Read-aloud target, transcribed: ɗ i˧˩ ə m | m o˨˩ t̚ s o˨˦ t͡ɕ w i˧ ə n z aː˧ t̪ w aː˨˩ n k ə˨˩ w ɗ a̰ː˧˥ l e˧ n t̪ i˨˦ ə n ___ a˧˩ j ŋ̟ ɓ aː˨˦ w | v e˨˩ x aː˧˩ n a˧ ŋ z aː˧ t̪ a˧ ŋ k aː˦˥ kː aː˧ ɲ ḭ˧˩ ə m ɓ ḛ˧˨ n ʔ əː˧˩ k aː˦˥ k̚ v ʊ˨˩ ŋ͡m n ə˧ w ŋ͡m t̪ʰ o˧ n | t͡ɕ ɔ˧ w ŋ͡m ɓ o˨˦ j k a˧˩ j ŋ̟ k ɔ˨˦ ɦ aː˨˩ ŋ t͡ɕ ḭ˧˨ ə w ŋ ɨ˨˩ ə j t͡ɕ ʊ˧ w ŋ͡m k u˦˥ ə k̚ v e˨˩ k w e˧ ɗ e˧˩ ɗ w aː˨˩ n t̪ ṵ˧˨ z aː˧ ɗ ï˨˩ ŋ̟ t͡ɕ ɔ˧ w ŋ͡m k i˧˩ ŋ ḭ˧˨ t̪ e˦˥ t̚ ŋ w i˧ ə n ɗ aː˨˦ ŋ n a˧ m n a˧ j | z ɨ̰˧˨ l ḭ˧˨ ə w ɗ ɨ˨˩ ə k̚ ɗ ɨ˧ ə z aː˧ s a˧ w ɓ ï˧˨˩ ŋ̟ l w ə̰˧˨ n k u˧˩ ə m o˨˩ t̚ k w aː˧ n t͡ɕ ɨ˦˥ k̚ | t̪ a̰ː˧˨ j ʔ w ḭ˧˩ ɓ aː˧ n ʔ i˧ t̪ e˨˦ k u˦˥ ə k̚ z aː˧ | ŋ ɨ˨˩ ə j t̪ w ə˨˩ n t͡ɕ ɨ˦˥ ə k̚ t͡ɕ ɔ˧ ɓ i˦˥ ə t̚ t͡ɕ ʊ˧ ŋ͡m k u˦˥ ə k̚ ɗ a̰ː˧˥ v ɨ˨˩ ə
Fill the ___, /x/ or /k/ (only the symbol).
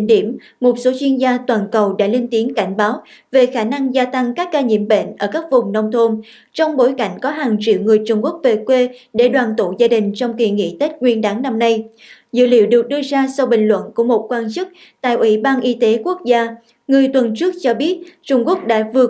k